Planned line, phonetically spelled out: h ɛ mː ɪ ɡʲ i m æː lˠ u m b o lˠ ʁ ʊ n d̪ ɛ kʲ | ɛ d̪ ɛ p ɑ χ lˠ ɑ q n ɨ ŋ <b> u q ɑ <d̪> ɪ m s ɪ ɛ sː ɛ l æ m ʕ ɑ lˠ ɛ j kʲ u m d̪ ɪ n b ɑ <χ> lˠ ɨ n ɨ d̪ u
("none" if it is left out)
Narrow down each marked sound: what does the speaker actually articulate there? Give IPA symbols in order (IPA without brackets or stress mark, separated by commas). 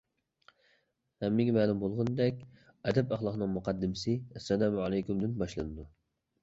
m, d̪ː, ʃ